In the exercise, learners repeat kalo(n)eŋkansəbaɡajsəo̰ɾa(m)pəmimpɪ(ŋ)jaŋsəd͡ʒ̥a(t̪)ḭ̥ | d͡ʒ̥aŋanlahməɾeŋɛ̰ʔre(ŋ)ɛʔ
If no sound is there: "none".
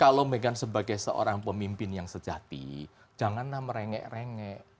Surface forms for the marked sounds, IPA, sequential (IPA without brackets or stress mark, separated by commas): m, ŋ, n, t̪, ŋ